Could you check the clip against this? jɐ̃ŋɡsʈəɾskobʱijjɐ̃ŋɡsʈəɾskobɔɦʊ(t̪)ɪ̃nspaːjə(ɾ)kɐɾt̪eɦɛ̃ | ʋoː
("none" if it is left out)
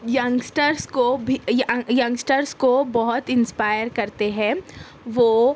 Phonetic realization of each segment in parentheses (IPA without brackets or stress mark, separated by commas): t̪, ɾ